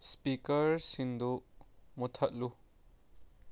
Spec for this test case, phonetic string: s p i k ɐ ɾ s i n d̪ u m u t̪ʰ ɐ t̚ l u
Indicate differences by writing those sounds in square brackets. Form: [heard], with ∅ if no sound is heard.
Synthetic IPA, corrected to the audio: s p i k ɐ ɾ s i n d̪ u m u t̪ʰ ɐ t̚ l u